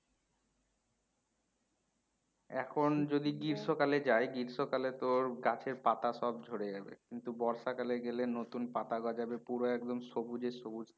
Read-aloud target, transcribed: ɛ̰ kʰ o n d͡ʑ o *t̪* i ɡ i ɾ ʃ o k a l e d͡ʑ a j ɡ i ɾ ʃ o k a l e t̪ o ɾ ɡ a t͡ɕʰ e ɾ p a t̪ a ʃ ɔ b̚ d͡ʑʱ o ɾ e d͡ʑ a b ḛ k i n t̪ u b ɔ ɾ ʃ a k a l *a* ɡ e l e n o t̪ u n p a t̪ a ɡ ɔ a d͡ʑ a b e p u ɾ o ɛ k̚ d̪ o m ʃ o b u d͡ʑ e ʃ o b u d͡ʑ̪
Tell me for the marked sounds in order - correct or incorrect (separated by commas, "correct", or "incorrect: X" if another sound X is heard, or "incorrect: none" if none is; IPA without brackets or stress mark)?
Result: incorrect: d̪, incorrect: e